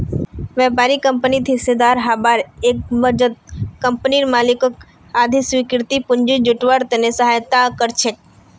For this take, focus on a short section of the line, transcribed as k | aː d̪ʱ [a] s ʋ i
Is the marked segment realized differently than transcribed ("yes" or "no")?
yes